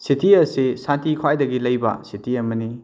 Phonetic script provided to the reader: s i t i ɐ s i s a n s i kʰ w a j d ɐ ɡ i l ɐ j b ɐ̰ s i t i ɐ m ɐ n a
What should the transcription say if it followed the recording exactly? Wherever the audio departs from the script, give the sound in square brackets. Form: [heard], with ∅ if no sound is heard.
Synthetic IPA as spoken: s i t i ɐ s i s a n [t] i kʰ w a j d ɐ ɡ i l ɐ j b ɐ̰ s i t i ɐ m ɐ n [i]